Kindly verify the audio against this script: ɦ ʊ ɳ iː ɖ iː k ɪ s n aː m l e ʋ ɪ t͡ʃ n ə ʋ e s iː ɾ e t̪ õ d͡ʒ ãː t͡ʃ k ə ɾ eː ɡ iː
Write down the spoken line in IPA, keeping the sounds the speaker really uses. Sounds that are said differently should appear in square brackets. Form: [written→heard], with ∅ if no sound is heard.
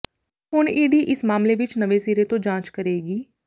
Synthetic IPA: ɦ ʊ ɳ iː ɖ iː [k→ʔ] ɪ s [n→m] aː m l e ʋ ɪ t͡ʃ n ə ʋ e s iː ɾ e t̪ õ d͡ʒ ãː t͡ʃ k ə ɾ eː ɡ iː